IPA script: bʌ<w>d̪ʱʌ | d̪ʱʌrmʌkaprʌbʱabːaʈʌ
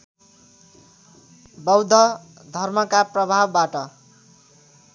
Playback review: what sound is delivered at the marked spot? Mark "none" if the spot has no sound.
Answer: w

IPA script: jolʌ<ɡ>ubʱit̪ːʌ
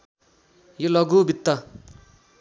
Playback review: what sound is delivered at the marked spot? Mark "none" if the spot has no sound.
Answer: ɡ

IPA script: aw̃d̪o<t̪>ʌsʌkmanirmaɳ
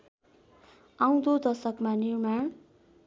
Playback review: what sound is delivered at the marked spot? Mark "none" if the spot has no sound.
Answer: d̪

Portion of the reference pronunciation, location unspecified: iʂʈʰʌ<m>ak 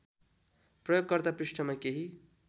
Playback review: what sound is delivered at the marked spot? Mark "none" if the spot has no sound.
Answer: m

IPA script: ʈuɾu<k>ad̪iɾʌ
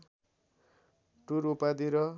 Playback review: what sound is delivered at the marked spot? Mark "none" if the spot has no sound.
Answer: p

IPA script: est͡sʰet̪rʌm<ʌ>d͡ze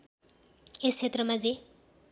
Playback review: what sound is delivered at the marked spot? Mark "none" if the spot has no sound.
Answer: a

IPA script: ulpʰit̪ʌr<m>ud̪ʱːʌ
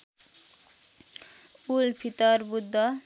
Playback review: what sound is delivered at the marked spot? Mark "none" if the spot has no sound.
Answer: b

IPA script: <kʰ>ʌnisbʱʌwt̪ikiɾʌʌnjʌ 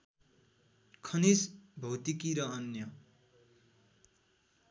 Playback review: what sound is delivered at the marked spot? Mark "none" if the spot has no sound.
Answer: kʰ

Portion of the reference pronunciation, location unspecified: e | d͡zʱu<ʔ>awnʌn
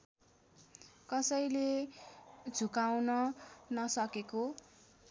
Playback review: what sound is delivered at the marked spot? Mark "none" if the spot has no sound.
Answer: k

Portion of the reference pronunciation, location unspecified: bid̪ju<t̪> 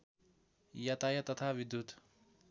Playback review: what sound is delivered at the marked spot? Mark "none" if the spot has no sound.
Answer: t̪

